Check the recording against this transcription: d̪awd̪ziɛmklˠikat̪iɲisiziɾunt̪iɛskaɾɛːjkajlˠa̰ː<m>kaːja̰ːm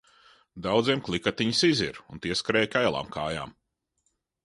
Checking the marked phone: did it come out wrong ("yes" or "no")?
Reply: no